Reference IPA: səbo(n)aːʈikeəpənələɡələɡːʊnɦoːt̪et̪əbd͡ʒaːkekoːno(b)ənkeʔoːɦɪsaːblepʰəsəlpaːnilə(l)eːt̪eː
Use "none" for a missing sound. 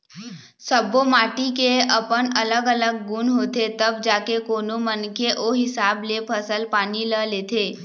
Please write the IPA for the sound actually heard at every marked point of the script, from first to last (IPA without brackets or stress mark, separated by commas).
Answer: m, m, l